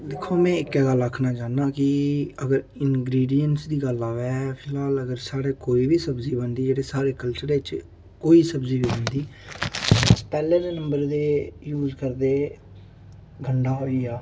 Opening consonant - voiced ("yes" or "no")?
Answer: yes